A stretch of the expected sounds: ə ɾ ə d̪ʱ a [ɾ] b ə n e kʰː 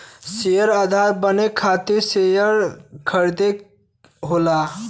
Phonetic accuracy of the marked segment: correct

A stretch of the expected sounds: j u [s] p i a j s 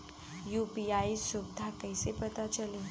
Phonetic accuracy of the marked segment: incorrect: none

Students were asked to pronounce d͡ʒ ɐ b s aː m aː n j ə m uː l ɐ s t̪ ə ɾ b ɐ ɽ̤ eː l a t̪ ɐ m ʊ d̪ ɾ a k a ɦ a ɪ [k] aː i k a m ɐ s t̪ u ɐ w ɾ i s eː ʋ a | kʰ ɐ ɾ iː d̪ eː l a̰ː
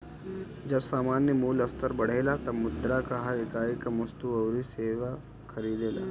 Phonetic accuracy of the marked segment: correct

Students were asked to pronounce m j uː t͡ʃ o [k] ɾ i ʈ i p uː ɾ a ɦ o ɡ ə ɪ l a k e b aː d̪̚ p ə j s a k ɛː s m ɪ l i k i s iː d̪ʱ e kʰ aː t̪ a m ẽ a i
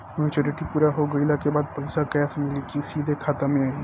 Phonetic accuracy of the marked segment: incorrect: none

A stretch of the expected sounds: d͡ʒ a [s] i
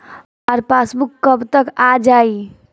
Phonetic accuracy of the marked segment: incorrect: none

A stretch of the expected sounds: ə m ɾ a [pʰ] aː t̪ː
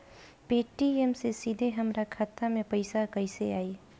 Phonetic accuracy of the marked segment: incorrect: kʰ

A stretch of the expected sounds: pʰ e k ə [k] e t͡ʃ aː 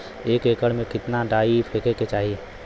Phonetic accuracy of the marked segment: correct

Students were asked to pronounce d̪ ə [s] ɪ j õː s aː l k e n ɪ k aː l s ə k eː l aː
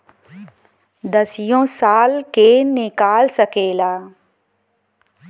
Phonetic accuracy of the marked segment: correct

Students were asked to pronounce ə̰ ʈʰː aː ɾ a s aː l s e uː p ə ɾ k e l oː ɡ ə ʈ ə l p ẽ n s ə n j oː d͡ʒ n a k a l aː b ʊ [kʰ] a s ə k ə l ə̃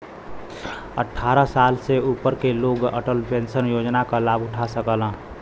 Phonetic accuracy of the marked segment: incorrect: ʈʰ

